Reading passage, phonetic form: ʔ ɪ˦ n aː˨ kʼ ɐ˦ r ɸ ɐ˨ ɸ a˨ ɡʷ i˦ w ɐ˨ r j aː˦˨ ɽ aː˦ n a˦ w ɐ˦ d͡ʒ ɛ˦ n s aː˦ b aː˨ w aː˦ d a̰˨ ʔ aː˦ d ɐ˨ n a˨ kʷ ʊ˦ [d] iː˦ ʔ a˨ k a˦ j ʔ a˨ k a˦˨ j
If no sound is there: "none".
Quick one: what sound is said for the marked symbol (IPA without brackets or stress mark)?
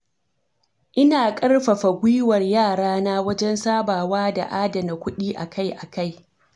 ɗ